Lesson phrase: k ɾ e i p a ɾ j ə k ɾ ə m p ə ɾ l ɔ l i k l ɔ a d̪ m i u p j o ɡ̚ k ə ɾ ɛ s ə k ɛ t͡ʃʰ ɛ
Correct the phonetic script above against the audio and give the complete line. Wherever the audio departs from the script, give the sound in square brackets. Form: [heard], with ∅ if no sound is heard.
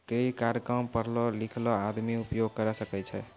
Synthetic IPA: k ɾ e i [k] a ɾ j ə k ɾ ə m p ə ɾ l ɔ l i [kʰ] l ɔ a d̪ m i u p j o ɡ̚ k ə ɾ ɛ s ə k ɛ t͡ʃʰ ɛ